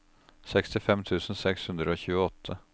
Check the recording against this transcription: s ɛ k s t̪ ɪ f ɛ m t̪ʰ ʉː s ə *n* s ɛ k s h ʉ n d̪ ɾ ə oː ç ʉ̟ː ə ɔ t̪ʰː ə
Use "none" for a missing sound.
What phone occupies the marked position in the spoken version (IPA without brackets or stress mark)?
n